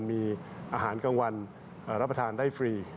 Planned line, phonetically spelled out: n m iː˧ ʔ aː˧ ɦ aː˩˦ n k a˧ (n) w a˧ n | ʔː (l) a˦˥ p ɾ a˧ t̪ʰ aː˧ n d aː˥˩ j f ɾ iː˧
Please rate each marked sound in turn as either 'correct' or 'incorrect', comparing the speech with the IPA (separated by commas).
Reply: incorrect, incorrect